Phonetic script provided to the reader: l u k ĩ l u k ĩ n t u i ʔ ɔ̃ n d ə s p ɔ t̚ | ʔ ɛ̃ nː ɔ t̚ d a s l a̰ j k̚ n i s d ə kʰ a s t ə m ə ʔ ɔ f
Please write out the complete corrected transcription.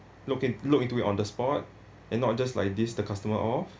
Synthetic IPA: l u k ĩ l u k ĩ n t u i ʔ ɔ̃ n d ə s p ɔ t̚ | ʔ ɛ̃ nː ɔ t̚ d͡ʒ a s l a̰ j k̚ d i s d ə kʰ a s t ə m ə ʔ ɔ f